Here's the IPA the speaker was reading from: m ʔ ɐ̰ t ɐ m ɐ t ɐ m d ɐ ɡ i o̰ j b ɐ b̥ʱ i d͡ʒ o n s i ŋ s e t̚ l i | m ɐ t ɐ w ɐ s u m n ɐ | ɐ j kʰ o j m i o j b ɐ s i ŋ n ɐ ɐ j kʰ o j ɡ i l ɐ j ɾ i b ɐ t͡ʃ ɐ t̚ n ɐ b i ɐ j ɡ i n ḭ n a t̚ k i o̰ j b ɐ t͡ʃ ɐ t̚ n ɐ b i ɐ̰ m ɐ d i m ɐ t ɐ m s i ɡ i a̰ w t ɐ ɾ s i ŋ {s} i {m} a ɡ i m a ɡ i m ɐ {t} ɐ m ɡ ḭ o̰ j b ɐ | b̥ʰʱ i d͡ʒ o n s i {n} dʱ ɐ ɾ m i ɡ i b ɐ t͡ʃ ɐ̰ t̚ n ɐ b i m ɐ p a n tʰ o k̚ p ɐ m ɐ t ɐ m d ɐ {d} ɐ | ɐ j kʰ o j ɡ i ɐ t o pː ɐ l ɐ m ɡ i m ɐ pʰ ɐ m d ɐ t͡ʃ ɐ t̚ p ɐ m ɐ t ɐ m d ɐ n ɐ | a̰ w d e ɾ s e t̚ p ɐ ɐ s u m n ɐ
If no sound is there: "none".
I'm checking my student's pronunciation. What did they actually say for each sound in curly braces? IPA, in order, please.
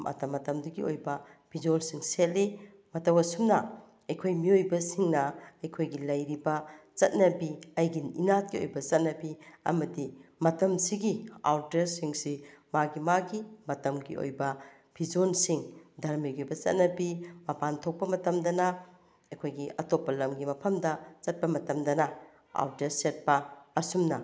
s, m, t, ŋ, n

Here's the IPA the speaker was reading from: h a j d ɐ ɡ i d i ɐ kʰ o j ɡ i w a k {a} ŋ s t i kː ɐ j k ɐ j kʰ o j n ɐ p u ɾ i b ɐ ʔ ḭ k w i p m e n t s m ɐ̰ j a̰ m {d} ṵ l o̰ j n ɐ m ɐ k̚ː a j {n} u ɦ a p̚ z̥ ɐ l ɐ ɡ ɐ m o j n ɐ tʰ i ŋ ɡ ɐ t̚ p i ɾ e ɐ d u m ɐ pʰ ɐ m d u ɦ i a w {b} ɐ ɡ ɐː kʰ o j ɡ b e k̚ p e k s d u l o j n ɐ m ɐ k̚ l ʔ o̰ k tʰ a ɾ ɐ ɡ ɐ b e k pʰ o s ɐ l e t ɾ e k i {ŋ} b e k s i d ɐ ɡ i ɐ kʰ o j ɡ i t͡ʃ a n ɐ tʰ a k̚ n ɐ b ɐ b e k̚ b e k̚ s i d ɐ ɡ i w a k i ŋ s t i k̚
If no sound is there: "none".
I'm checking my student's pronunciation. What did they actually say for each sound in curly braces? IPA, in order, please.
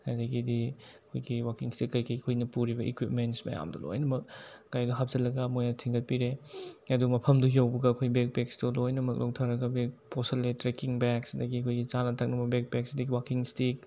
i, d, d, b, ŋ

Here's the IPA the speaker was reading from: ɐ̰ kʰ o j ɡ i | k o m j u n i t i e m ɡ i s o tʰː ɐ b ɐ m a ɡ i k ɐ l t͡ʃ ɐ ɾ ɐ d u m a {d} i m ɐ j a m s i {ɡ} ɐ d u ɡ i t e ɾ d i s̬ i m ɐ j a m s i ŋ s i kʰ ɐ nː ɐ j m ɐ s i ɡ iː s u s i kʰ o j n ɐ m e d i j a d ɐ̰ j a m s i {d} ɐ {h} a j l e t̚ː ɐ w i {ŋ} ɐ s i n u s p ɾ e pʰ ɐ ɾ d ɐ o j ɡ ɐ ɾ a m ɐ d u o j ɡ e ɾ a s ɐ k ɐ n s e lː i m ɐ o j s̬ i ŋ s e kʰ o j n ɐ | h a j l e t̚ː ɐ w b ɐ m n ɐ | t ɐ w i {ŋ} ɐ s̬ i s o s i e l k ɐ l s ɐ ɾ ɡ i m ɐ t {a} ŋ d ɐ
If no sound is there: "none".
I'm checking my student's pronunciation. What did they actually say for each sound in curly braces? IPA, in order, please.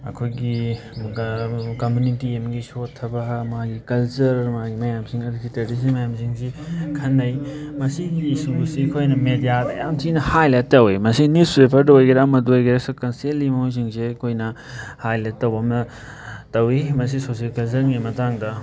ɡ, ŋ, n, h, m, m, a

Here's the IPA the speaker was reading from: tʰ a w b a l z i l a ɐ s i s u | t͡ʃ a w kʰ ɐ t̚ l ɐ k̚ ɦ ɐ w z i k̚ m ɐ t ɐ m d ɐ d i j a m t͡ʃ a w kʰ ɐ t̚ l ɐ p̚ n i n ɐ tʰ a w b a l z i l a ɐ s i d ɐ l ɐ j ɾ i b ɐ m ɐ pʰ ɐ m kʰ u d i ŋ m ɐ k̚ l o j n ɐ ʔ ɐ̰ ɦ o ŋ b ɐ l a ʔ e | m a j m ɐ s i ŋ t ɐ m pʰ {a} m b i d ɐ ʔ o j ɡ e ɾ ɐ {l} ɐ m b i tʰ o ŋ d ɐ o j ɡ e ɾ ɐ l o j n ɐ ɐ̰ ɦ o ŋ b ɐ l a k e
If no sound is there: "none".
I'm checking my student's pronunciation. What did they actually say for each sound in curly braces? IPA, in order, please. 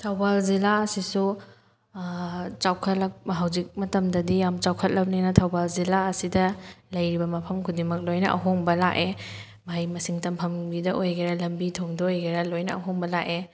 ɐ, l

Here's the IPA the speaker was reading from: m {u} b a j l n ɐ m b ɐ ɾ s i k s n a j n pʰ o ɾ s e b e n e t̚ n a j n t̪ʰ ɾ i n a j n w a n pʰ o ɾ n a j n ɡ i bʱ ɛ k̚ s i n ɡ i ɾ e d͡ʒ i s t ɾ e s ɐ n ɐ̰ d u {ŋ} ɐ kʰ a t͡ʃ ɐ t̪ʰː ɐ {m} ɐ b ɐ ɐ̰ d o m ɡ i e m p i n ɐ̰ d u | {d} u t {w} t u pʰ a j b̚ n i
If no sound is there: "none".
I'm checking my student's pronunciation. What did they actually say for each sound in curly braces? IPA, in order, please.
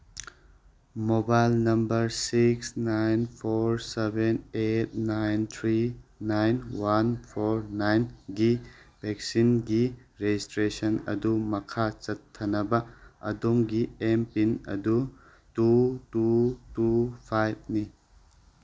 o, m, n, t, u

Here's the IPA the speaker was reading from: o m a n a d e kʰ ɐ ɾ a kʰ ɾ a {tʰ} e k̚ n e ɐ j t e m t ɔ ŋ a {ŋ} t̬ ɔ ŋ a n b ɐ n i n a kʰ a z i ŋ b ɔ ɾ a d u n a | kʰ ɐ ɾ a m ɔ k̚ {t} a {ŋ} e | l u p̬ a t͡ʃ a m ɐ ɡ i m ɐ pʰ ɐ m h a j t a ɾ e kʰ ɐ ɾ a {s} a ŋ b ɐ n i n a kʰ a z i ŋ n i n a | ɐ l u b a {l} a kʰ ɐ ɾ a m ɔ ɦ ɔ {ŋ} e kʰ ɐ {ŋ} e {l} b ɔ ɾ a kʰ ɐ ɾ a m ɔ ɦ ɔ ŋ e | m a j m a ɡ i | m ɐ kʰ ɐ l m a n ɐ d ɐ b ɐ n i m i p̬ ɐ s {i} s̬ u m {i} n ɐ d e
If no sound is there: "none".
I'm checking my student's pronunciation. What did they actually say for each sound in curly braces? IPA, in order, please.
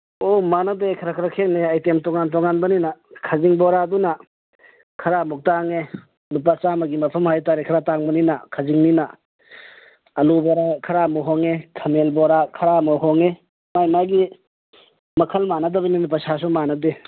kʰ, n, t, ŋ, t, ɾ, ŋ, m, l, a, a

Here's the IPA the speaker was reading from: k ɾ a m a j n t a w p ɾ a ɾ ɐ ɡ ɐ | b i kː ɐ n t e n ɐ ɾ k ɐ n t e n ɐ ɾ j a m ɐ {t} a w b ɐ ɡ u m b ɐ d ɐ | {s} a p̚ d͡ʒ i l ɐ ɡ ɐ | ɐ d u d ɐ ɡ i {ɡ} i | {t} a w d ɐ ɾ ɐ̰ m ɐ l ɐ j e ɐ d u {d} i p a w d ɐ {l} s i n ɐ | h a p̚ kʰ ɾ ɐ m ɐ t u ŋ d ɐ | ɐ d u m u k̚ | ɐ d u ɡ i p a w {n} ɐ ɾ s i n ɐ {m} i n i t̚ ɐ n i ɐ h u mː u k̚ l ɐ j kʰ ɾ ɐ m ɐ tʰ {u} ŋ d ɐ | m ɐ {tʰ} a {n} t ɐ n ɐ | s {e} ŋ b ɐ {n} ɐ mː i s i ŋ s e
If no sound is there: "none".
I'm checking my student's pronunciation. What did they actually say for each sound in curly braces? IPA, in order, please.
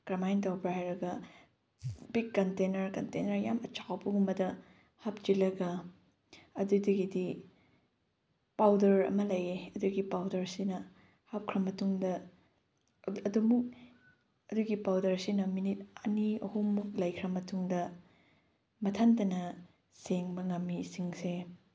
t͡ʃ, h, d, p, ɡ, ɾ, d, m, u, tʰ, n, e, ŋ

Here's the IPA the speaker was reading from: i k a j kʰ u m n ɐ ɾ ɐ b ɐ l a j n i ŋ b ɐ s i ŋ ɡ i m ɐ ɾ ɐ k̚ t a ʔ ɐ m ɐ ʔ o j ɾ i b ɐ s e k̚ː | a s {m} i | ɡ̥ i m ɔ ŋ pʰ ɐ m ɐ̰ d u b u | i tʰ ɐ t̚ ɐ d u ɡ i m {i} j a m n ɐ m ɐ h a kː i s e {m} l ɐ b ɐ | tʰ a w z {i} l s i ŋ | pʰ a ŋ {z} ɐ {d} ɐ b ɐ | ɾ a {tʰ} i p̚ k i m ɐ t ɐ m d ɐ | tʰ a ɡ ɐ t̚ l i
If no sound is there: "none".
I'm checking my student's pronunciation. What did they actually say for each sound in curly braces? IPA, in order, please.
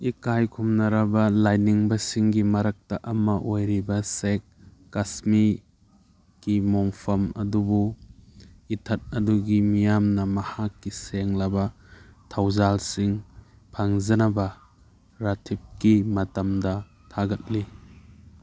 m, i, ŋ, a, z, n, tʰ

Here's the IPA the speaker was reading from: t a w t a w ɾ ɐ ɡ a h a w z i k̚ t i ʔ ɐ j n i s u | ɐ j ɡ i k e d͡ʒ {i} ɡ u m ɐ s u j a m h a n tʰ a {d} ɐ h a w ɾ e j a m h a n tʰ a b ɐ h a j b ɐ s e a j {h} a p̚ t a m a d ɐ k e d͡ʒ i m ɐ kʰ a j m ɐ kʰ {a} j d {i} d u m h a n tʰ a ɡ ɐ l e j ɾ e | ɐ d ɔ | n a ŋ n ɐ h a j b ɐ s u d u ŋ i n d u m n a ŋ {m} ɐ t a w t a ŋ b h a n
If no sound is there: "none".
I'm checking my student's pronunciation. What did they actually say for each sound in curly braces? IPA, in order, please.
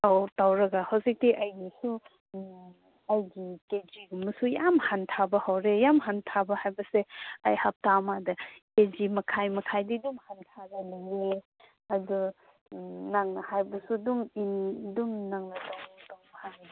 i, b, h, a, i, n

